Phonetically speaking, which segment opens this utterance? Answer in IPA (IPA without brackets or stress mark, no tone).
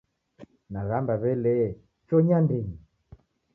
n